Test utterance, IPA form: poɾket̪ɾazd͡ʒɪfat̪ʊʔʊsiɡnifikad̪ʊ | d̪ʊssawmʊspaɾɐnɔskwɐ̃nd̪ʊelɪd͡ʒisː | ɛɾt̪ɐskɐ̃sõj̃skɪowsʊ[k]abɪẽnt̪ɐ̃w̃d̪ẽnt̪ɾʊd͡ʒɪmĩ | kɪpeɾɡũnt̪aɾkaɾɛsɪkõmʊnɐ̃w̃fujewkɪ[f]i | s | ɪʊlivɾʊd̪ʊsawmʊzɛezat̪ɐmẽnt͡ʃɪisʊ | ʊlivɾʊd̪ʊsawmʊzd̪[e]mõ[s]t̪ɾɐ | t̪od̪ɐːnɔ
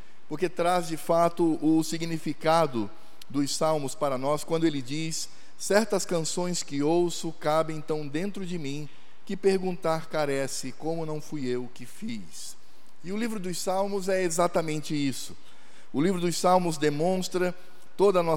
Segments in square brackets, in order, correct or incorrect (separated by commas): correct, correct, correct, correct